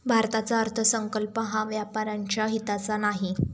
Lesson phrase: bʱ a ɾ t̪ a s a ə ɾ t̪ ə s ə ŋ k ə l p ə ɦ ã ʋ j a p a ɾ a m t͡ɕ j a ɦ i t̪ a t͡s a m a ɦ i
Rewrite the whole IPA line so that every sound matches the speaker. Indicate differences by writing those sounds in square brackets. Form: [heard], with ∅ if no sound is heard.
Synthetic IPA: bʱ a ɾ t̪ a [t͡s] a ə ɾ [t̪ʰ] ə s ə ŋ k ə l p ə ɦ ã ʋ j a p a ɾ a [ɲ] t͡ɕ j a ɦ i t̪ a t͡s a [n] a ɦ i